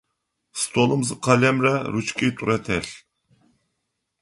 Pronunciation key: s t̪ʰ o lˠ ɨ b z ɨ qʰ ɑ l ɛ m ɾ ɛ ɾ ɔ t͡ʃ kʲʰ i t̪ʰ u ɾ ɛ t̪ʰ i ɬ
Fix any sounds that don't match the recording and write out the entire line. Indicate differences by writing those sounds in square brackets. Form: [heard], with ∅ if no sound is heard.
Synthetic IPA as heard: s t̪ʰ o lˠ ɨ [m] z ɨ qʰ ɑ l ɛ m ɾ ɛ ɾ [u] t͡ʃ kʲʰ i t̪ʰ u ɾ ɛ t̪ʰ [ɛ] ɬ